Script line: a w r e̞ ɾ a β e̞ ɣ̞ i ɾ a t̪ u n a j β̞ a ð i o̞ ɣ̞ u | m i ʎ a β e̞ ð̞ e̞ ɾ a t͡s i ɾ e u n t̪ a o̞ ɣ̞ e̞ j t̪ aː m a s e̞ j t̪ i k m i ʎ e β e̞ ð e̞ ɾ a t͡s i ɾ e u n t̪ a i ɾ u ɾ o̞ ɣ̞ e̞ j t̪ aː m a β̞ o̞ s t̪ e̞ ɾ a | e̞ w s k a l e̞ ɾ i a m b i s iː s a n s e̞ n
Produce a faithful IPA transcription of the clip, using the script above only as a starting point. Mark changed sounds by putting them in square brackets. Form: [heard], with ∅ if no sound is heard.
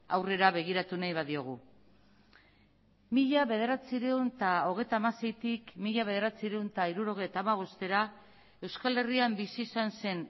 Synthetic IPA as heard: a w r e̞ ɾ a β e̞ ɣ̞ i ɾ a t̪ u n a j β̞ a ð i o̞ ɣ̞ u | m i ʎ a β e̞ ð̞ e̞ ɾ a t͡s i ɾ e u n t̪ a o̞ ɣ̞ e̞ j t̪ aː m a s e̞ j t̪ i k m i ʎ [a] β e̞ ð e̞ ɾ a t͡s i ɾ e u n t̪ a i ɾ u ɾ o̞ ɣ̞ e̞ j t̪ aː m a β̞ o̞ s t̪ e̞ ɾ a | e̞ w s k a l e̞ [r] i a m b i s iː s a n s e̞ n

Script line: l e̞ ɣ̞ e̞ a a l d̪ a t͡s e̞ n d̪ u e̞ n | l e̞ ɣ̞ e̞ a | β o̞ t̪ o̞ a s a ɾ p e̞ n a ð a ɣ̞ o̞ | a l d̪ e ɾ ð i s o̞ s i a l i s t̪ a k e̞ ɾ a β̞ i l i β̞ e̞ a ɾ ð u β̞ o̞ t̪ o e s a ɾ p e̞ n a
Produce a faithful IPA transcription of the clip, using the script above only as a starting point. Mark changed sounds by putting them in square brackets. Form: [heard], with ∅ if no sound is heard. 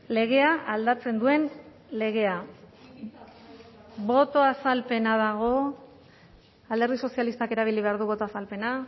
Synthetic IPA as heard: l e̞ ɣ̞ e̞ a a l d̪ a t͡s e̞ n d̪ u e̞ n | l e̞ ɣ̞ e̞ a | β o̞ t̪ o̞ a s a [l] p e̞ n a ð a ɣ̞ o̞ | a l d̪ e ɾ ð i s o̞ s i a l i s t̪ a k e̞ ɾ a β̞ i l i β̞ e̞ a ɾ ð u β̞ o̞ t̪ o [a] s a [l] p e̞ n a

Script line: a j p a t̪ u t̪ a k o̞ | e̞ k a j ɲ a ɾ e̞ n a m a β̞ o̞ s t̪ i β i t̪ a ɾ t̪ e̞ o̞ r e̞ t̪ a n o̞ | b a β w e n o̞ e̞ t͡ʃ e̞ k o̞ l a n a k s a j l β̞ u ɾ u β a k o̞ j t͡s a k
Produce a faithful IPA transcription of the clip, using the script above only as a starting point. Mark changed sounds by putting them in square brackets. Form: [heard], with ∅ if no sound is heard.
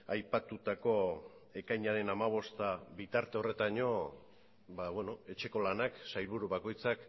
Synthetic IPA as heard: a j p a t̪ u t̪ a k o̞ | e̞ k a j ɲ a ɾ e̞ n a m a β̞ o̞ s t̪ [a] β i t̪ a ɾ t̪ e̞ o̞ r e̞ t̪ a [ɲ] o̞ | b a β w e n o̞ e̞ t͡ʃ e̞ k o̞ l a n a k s a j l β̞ u ɾ u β a k o̞ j t͡s a k

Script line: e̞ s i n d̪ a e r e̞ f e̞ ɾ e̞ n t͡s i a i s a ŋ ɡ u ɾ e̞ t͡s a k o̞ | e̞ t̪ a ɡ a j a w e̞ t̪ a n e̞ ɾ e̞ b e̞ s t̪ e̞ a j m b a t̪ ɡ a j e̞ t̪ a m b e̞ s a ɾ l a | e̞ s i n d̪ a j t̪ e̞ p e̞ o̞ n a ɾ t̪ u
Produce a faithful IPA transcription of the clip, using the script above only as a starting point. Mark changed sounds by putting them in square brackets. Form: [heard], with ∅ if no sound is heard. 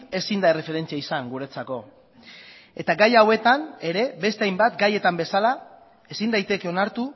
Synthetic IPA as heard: e̞ s i n d̪ a e r e̞ f e̞ ɾ e̞ n t͡s i a i s a ŋ ɡ u ɾ e̞ t͡s a k o̞ | e̞ t̪ a ɡ a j a w e̞ t̪ a n e̞ ɾ e̞ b e̞ s t̪ e̞ a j m b a t̪ ɡ a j e̞ t̪ a m b e̞ s a [∅] l a | e̞ s i n d̪ a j t̪ e̞ [k] e̞ o̞ n a ɾ t̪ u

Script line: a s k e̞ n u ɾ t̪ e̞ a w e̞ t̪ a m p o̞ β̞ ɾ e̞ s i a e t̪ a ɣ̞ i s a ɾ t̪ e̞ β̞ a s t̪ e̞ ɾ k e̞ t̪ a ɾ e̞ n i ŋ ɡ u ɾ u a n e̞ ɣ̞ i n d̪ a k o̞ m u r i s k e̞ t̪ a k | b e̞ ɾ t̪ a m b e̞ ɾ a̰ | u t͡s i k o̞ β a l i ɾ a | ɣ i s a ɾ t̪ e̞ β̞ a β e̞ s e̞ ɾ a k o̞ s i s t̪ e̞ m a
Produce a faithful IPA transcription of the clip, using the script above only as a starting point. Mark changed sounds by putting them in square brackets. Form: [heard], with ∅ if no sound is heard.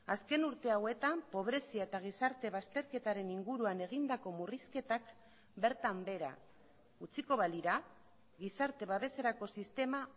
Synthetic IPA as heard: a s k e̞ n u ɾ t̪ e̞ a w e̞ t̪ a m p o̞ β̞ ɾ e̞ s i a e t̪ a ɣ̞ i s a ɾ t̪ e̞ β̞ a s t̪ e̞ ɾ k e̞ t̪ a ɾ e̞ n i ŋ ɡ u ɾ u a n e̞ ɣ̞ i n d̪ a k o̞ m u r i s k e̞ t̪ a k | b e̞ ɾ t̪ a m b e̞ ɾ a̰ | u t͡s i k o̞ β a l i ɾ a | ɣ i s a ɾ t̪ e̞ β̞ a β e̞ s e̞ ɾ a k o̞ s i s t̪ e̞ m a

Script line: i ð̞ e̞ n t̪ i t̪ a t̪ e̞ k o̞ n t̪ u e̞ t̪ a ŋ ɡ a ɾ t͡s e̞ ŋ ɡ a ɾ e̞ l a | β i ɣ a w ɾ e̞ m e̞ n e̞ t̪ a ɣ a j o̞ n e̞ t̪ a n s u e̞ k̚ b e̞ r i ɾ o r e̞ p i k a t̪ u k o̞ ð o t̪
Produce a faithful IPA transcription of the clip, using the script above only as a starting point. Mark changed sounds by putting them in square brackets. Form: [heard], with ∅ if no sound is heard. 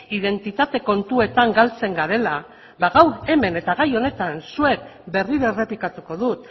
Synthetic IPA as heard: i ð̞ e̞ n t̪ i t̪ a t̪ e̞ k o̞ n t̪ u e̞ t̪ a ŋ ɡ a [l] t͡s e̞ ŋ ɡ a ɾ e̞ l a | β [a] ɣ a w ɾ e̞ m e̞ n e̞ t̪ a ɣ a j o̞ n e̞ t̪ a n s u e̞ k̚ b e̞ r i ɾ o r e̞ p i k a t̪ u k o̞ ð [u] t̪

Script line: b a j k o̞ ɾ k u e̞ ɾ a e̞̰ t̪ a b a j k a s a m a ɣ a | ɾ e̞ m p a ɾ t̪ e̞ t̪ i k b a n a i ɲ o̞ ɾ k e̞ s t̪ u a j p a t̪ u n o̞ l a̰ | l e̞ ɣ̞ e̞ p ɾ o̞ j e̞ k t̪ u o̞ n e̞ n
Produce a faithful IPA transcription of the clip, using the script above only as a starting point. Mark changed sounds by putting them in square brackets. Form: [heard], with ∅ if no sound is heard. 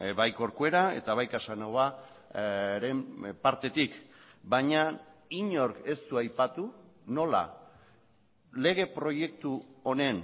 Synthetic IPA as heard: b a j k o̞ ɾ k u e̞ ɾ a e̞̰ t̪ a [β] a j k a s a [n] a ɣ a | ɾ e̞ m p a ɾ t̪ e̞ t̪ i k b a [ɲ] a i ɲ o̞ ɾ k e̞ s t̪ u a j p a t̪ u n o̞ l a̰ | l e̞ ɣ̞ e̞ p ɾ o̞ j e̞ k t̪ u o̞ n e̞ n

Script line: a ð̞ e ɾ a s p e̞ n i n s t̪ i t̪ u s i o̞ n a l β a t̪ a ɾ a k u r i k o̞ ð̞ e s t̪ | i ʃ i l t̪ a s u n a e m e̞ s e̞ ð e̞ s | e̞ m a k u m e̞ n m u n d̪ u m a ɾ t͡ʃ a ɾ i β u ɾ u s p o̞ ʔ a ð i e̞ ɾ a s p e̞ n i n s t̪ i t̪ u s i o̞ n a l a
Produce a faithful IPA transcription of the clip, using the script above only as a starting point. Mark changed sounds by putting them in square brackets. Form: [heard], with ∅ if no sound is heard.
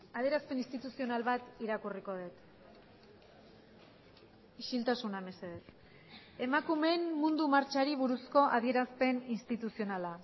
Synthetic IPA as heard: a ð̞ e ɾ a s p e̞ n i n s t̪ i t̪ u s i o̞ n a l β a t̪ [i] ɾ a k u r i k o̞ ð̞ e [∅] t̪ | i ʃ i l t̪ a s u n a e m e̞ s e̞ ð e̞ s | e̞ m a k u m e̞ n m u n d̪ u m a ɾ t͡ʃ a ɾ i β u ɾ u s [k] o̞ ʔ a ð i e̞ ɾ a s p e̞ n i n s t̪ i t̪ u s i o̞ n a l a

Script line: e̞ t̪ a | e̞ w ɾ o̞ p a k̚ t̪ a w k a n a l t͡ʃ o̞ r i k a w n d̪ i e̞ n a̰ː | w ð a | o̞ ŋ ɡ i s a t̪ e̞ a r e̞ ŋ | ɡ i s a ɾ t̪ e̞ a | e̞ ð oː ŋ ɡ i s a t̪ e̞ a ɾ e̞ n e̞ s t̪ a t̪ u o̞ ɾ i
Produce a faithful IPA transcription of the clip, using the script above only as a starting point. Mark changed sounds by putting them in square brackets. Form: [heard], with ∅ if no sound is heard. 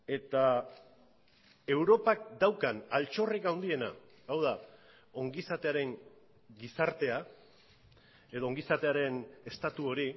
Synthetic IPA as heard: e̞ t̪ a | e̞ w ɾ o̞ p a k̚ [d̪] a w k a n a l t͡ʃ o̞ r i k a w n d̪ i e̞ n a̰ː | w ð a | o̞ ŋ ɡ i s a t̪ e̞ a [ɾ] e̞ ŋ | ɡ i s a ɾ t̪ e̞ a | e̞ ð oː ŋ ɡ i s a t̪ e̞ a ɾ e̞ n e̞ s t̪ a t̪ u o̞ ɾ i

